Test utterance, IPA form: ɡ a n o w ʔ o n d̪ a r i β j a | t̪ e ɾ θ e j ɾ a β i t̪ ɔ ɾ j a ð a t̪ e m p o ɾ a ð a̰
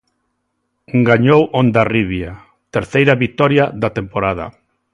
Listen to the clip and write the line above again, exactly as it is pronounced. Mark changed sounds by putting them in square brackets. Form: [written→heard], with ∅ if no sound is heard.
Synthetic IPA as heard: ɡ a [n→ɲ] o w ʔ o n d̪ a r i β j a | t̪ e ɾ θ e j ɾ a β i t̪ ɔ ɾ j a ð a t̪ e m p o ɾ a ð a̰